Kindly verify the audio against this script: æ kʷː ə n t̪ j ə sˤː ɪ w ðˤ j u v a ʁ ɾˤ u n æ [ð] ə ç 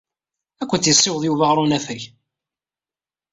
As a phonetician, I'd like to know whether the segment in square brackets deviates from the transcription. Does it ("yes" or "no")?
yes